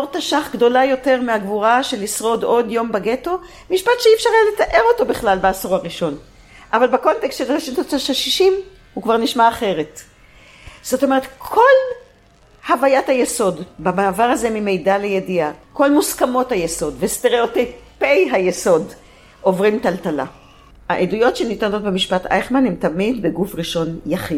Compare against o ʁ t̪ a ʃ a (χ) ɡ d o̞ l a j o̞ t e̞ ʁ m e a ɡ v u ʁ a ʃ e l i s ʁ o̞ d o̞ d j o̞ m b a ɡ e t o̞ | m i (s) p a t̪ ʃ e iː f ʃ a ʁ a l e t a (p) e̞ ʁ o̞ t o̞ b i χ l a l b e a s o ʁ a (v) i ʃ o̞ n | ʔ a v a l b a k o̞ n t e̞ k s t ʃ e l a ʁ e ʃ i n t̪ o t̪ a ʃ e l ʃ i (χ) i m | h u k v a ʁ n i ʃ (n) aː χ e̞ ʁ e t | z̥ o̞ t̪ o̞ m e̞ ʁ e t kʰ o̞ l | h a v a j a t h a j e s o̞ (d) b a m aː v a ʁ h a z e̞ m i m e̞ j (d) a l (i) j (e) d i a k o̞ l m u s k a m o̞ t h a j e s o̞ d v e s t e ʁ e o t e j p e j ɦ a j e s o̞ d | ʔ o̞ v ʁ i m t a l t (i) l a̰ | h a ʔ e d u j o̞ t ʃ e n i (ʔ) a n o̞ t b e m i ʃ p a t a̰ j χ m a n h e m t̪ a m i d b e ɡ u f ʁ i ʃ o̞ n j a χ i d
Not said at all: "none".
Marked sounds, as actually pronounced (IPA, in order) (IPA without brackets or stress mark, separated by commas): χ, ʃ, ʔ, ʁ, ʃ, m, d, d, e, e, a, t